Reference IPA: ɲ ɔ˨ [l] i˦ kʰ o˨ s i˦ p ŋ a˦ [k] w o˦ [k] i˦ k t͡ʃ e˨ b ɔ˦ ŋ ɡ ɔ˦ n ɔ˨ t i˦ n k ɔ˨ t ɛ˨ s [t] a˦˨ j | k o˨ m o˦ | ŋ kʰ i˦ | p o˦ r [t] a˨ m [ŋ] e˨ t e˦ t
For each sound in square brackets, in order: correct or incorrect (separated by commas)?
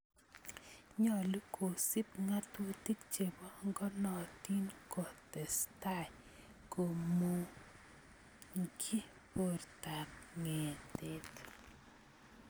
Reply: correct, incorrect, incorrect, correct, correct, correct